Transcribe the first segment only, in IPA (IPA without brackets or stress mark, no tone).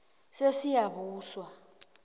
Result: s